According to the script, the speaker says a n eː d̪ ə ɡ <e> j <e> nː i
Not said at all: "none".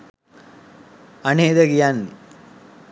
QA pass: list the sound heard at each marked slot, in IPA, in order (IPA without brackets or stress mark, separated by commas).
i, a